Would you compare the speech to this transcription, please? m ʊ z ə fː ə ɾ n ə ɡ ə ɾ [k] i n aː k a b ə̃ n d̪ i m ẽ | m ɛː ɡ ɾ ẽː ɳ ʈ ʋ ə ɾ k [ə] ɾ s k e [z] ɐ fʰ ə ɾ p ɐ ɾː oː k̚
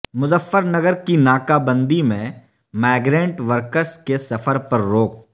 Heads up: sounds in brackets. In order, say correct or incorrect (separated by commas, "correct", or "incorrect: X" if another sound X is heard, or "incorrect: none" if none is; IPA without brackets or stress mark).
correct, correct, incorrect: s